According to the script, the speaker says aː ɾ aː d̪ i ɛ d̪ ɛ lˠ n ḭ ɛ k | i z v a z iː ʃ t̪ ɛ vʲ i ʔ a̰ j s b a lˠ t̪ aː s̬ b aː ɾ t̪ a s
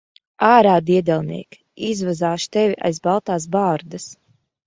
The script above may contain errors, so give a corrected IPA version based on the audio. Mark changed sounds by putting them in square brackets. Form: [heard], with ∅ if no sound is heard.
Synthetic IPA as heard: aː ɾ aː d̪ i ɛ d̪ ɛ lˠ n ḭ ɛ k | i z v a z [aː] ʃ t̪ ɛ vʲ i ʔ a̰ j [z] b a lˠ t̪ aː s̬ b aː ɾ [d̪] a s